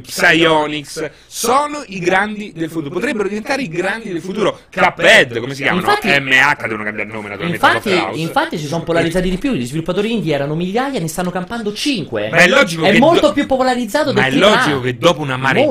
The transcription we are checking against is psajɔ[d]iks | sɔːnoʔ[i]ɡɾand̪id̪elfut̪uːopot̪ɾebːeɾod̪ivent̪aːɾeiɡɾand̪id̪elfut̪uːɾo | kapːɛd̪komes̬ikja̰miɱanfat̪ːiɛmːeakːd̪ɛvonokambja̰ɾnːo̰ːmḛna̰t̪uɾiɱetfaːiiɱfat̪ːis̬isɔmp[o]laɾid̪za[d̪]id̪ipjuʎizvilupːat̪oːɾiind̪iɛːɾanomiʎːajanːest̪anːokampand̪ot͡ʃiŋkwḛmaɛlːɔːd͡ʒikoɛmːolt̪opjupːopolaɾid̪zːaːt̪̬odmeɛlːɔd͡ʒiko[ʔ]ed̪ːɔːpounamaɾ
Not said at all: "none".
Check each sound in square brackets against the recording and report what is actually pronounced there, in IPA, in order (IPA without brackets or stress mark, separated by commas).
n, i, o, t̪, k